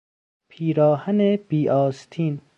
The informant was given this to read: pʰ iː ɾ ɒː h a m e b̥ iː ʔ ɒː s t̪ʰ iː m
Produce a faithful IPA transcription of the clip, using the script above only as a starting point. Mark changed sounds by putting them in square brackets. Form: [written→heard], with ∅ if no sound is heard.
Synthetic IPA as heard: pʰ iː ɾ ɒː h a [m→n] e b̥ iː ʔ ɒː s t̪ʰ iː [m→n]